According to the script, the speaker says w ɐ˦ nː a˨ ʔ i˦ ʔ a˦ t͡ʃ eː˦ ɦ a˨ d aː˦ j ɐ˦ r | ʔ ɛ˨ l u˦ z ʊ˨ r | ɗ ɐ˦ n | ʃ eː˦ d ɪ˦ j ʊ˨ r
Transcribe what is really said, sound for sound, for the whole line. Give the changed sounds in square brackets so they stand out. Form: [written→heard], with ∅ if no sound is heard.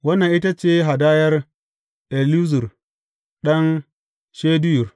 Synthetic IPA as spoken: w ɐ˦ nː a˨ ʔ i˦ [ʔ→t] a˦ t͡ʃ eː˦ ɦ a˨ d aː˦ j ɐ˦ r | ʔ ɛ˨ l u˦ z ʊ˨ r | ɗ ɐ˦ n | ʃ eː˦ d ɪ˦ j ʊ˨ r